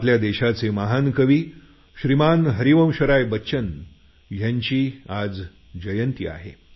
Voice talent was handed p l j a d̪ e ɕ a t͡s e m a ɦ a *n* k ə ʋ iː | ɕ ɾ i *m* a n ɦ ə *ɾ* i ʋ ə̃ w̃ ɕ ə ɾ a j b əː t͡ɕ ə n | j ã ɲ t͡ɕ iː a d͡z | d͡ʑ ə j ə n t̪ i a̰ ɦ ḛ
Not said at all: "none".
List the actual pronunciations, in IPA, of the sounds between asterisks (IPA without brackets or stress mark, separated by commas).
n, m, ɾ